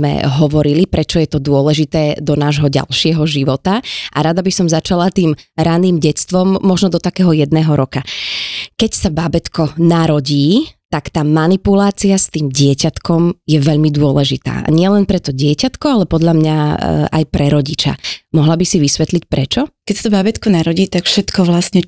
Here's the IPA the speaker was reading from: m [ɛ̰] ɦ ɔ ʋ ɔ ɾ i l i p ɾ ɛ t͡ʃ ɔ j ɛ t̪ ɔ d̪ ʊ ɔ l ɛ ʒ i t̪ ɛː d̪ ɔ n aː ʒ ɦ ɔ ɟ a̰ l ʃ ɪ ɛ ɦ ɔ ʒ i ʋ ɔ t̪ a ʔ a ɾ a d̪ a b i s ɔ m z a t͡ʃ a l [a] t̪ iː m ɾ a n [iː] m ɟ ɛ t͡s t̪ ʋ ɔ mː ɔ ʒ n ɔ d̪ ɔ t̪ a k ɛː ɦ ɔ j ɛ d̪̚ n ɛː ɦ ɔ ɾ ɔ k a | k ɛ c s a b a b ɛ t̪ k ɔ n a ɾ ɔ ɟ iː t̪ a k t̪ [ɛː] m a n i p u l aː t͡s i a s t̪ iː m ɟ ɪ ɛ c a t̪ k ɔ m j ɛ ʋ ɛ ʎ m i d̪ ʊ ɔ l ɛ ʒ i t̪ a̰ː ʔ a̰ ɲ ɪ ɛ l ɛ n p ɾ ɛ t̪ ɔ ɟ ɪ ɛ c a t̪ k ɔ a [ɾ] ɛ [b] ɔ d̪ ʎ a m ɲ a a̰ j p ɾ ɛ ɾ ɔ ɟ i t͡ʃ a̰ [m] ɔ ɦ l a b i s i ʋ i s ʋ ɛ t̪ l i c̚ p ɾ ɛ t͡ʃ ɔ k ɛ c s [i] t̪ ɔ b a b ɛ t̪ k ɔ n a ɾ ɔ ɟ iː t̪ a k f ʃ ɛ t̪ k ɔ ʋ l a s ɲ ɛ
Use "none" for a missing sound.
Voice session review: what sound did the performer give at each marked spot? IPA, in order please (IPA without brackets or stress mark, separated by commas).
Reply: ɛ̰, a, iː, aː, l, p, m, a